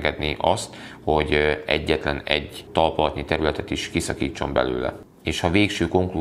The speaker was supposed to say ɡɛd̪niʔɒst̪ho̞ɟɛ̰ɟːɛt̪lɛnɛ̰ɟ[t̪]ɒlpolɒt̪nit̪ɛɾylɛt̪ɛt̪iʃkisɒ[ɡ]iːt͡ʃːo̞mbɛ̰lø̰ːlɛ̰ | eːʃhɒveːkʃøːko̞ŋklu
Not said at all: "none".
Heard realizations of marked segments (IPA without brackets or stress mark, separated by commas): t̪, k